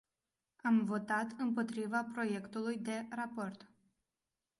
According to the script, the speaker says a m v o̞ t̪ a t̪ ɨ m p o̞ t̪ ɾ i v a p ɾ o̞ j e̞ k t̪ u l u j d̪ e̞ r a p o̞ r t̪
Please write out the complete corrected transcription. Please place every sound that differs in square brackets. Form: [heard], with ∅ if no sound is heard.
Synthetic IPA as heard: a m v o̞ t̪ a t̪ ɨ m p o̞ t̪ ɾ i v a p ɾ o̞ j e̞ k t̪ u l u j d̪ e̞ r a p o̞ r t̪